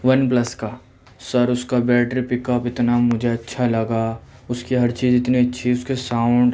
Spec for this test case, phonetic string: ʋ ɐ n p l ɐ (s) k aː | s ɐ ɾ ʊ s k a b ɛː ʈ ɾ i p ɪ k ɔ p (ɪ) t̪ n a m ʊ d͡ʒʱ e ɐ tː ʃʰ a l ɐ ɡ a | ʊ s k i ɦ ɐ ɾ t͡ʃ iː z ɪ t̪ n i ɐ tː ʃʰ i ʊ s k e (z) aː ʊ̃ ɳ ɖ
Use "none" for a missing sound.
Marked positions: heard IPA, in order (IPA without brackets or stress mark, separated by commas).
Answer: s, ɪ, s